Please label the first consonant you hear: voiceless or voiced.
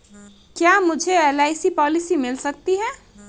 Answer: voiceless